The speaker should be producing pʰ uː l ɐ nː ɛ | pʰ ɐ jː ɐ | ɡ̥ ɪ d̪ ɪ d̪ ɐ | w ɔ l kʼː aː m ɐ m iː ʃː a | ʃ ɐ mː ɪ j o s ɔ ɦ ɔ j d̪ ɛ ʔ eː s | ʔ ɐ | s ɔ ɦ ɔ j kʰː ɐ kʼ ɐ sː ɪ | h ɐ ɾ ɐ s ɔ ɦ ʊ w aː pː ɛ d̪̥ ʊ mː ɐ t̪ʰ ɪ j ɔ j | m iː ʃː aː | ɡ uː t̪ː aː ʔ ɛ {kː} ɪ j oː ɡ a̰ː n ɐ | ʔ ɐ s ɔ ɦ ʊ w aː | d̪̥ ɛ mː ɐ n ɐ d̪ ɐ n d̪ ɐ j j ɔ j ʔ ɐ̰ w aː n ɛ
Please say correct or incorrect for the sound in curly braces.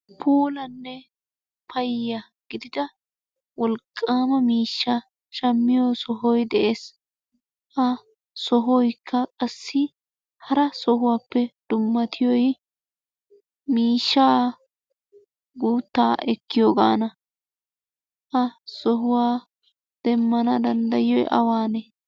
correct